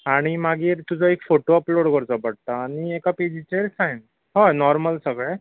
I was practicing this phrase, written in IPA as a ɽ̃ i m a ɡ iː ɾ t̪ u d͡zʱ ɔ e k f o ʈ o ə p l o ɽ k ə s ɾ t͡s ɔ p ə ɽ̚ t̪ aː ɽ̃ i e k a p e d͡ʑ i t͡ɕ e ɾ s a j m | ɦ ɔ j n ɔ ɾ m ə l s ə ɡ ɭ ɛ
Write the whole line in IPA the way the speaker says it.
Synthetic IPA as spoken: a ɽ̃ i m a ɡ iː ɾ t̪ u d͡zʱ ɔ e k f o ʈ o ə p l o ɽ k ə ɾ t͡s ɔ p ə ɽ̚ t̪ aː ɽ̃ i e k a p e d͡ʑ i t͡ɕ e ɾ s a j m | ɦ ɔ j n ɔ ɾ m ə l s ə ɡ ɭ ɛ